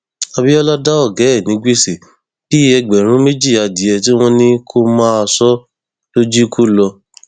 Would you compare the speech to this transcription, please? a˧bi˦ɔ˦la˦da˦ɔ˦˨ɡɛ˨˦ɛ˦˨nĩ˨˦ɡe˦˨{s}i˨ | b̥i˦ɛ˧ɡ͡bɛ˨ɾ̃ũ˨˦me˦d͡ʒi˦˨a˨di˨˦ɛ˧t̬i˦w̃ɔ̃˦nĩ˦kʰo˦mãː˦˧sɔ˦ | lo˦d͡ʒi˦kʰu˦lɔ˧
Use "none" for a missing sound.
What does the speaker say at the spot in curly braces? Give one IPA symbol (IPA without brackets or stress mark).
s